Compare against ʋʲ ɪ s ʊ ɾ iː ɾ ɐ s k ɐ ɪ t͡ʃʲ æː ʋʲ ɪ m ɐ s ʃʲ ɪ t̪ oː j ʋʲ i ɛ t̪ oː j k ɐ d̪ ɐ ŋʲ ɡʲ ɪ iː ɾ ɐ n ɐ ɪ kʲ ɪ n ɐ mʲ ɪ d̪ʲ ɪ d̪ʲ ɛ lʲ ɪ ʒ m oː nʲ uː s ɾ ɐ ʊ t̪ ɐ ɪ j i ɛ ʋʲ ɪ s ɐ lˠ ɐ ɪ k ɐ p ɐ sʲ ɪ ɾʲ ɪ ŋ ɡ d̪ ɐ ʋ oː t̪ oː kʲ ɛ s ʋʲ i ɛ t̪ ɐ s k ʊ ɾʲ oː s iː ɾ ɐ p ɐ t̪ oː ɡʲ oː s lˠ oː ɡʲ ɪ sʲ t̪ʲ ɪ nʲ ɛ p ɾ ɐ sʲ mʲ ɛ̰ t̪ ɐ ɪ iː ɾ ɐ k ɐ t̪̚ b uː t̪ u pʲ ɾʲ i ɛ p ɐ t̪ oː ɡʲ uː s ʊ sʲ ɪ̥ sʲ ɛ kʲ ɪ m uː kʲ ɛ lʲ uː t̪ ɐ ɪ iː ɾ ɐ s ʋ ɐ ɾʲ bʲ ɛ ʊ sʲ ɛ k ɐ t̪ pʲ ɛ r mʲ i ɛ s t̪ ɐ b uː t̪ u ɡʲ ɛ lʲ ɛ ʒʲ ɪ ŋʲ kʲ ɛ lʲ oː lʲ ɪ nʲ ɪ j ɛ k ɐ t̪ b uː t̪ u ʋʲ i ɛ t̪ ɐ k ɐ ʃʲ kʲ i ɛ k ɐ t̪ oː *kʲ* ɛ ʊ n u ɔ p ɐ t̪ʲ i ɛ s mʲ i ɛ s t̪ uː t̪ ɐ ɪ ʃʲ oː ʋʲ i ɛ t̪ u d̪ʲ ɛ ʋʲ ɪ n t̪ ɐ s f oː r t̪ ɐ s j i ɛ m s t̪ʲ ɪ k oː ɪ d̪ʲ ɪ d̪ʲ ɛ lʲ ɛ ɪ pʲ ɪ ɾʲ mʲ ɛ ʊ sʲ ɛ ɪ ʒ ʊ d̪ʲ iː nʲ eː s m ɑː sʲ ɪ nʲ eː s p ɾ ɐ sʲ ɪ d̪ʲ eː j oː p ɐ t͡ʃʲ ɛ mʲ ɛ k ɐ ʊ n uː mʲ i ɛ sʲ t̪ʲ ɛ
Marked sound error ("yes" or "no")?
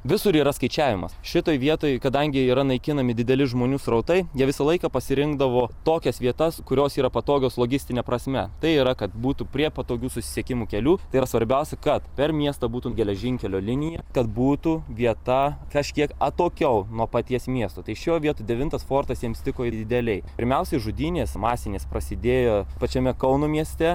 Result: no